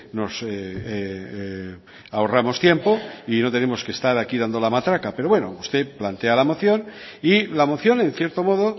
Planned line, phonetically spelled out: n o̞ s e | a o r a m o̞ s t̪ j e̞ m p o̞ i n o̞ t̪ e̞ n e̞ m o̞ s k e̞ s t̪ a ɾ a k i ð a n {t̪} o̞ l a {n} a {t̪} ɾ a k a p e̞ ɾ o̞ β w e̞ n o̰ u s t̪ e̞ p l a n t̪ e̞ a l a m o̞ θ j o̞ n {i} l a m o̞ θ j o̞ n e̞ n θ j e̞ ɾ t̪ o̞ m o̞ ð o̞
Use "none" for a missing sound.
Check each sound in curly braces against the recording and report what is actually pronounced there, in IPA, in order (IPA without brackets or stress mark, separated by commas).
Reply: d̪, m, t̪, i